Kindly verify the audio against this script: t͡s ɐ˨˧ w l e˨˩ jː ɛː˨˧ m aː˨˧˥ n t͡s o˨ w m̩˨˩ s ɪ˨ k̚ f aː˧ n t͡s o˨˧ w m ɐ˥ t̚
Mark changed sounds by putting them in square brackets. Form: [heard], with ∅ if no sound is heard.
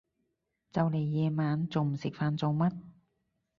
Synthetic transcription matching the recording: t͡s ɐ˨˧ w l e˨˩ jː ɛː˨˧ m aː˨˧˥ n t͡s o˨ w m̩˨˩ s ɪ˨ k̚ f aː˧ n t͡s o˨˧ w m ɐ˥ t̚